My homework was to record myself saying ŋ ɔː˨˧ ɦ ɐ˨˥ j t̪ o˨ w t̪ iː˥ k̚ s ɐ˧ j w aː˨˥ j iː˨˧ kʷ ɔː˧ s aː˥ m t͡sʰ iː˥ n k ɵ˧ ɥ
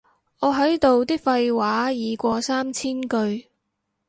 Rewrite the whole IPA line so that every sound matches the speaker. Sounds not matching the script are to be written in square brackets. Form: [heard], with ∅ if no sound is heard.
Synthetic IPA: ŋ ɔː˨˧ ɦ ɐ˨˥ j t̪ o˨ w t̪ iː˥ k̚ [f] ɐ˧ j w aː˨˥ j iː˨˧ kʷ ɔː˧ s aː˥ m t͡sʰ iː˥ n k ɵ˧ ɥ